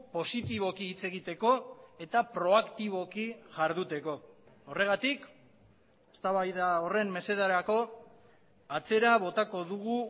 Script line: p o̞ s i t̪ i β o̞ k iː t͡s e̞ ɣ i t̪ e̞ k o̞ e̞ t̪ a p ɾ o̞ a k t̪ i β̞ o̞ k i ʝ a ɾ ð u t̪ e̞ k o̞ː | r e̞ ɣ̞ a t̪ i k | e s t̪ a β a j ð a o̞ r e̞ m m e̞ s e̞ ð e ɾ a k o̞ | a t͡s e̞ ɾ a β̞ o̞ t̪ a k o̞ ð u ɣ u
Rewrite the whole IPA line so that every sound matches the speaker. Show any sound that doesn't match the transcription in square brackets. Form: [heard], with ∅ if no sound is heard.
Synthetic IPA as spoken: p o̞ s i t̪ i β o̞ k iː t͡s e̞ ɣ i t̪ e̞ k o̞ e̞ t̪ a p ɾ o̞ a k t̪ i β̞ o̞ k i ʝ a ɾ ð u t̪ e̞ k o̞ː | r e̞ ɣ̞ a t̪ i k | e s t̪ a β a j ð a o̞ r e̞ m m e̞ s e̞ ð [a] ɾ a k o̞ | a t͡s e̞ ɾ a β̞ o̞ t̪ a k o̞ ð u ɣ u

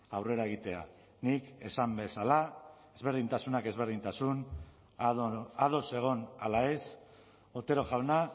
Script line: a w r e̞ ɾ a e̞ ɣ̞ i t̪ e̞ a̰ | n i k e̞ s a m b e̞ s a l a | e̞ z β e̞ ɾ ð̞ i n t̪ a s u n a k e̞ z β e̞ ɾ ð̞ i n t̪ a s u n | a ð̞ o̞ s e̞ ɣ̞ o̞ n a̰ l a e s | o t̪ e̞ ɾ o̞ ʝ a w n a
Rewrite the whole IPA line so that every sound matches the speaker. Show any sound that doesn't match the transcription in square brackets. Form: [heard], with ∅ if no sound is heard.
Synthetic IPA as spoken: a w r e̞ ɾ a e̞ ɣ̞ i t̪ e̞ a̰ | n i k e̞ s a m b e̞ s a l a | e̞ z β e̞ ɾ ð̞ i n t̪ a s u n a k e̞ z β e̞ ɾ ð̞ i n t̪ a s u n | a ð̞ o̞ s e̞ ɣ̞ o̞ n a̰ l a e s | o t̪ e̞ ɾ o̞ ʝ a w n a

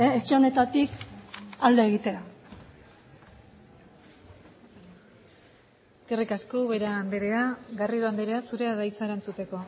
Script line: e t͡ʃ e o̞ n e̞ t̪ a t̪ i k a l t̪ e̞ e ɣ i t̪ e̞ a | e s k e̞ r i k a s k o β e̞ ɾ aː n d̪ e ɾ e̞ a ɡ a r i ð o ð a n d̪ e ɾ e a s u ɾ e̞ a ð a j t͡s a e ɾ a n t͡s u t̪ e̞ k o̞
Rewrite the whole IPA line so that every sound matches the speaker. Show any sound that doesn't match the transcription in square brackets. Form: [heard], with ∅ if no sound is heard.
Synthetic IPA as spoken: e t͡ʃ e o̞ n e̞ t̪ a t̪ i k a l [d̪] e̞ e ɣ i t̪ e̞ a | e s k e̞ r i k a s k o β e̞ ɾ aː n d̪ e ɾ e̞ a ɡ a r i ð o [∅] a n d̪ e ɾ e a s u ɾ e̞ a ð a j t͡s a e ɾ a n t͡s u t̪ e̞ k o̞

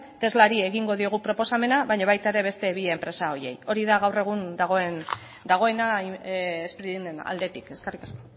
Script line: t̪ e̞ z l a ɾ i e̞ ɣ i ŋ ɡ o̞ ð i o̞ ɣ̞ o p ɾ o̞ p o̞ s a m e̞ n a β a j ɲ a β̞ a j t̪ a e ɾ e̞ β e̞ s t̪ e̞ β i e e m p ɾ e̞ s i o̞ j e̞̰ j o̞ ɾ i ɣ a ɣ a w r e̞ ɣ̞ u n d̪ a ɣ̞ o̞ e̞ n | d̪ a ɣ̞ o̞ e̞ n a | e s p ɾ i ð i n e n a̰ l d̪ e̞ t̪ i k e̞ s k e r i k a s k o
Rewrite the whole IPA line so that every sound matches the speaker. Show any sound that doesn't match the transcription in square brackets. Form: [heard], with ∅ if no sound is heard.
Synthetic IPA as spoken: t̪ e̞ z l a ɾ i e̞ ɣ i ŋ ɡ o̞ ð i o̞ ɣ̞ [u] p ɾ o̞ p o̞ s a m e̞ n a β a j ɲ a β̞ a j t̪ a e ɾ e̞ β e̞ s t̪ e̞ β i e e m p ɾ e̞ s [a] o̞ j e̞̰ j o̞ ɾ i [ð] a ɣ a w r e̞ ɣ̞ u n d̪ a ɣ̞ o̞ e̞ n | d̪ a ɣ̞ o̞ e̞ n a | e s p ɾ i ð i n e n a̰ l d̪ e̞ t̪ i k e̞ s k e r i k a s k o

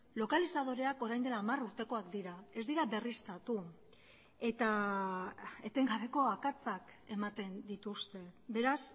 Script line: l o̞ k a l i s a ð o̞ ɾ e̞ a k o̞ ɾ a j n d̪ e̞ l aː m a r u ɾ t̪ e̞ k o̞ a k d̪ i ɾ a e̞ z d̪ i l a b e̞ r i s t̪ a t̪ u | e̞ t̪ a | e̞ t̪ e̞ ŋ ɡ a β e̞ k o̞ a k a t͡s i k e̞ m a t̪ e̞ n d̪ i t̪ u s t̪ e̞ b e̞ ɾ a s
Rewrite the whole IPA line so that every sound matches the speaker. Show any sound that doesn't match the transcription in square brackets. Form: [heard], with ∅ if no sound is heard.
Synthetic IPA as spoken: l o̞ k a l i s a ð o̞ ɾ e̞ a k o̞ ɾ a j n d̪ e̞ l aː m a r u ɾ t̪ e̞ k o̞ a k d̪ i ɾ a e̞ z d̪ i [ɾ] a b e̞ r i s t̪ a t̪ u | e̞ t̪ a | e̞ t̪ e̞ ŋ ɡ a β e̞ k o̞ a k a t͡s [a] k e̞ m a t̪ e̞ n d̪ i t̪ u s t̪ e̞ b e̞ ɾ a s

